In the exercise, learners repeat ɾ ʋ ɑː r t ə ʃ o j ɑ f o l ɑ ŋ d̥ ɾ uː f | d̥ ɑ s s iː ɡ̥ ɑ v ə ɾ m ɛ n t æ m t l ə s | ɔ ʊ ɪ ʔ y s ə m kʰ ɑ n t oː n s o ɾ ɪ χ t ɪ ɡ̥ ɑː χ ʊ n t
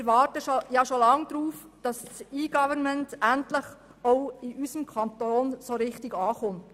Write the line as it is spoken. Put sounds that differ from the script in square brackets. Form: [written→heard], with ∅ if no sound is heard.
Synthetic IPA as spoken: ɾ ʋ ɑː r t ə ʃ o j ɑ [f→ʃ] o l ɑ ŋ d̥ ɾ uː f | d̥ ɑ s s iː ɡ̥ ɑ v ə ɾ m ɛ n t æ [m→n] t l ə [s→χ] | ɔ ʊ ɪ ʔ y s ə m kʰ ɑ n t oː n s o ɾ ɪ χ t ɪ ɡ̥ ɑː χ ʊ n t